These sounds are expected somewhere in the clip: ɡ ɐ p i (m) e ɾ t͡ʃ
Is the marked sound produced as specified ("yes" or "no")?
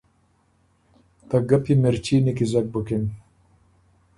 yes